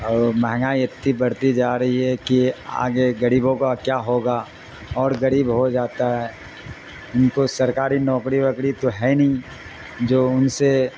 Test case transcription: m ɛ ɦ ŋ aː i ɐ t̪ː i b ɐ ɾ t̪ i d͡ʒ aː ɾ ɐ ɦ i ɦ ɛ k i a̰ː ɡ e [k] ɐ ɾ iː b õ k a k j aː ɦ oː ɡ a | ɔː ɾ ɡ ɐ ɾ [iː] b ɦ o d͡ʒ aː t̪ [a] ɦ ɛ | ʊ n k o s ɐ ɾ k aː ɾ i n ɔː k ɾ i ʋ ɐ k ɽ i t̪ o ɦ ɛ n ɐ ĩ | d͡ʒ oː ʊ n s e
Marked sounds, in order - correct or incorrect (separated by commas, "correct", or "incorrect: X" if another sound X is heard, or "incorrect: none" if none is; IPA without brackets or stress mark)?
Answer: incorrect: ɡ, correct, correct